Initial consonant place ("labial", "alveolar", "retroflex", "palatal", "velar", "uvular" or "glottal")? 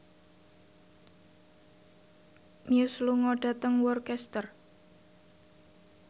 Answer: labial